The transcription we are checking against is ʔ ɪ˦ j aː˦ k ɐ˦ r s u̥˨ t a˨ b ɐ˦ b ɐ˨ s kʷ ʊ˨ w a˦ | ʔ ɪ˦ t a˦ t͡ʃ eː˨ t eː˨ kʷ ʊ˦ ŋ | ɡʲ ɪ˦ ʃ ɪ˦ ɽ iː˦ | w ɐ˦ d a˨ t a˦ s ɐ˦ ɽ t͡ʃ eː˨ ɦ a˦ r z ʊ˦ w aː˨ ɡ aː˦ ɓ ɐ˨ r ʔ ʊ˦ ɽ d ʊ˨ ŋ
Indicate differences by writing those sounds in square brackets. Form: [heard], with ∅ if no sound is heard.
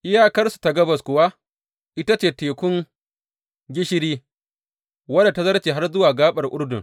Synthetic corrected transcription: ʔ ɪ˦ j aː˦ k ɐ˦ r s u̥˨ t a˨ [ɡ] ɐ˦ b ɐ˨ s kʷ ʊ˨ w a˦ | ʔ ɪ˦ t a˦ t͡ʃ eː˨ t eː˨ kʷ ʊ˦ ŋ | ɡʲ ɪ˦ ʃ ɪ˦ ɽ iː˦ | w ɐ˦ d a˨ t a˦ [z] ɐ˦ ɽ t͡ʃ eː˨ ɦ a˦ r z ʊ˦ w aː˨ ɡ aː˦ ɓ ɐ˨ r ʔ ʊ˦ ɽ d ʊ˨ ŋ